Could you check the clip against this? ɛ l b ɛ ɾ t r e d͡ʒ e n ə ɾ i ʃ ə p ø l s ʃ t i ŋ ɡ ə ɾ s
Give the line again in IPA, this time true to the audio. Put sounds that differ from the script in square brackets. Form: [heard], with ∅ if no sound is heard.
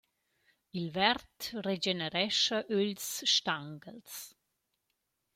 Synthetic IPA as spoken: [i] l [v] ɛ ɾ t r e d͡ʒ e n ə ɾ [ɛ] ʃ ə [ʔ] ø l s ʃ t [a] ŋ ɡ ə [l] s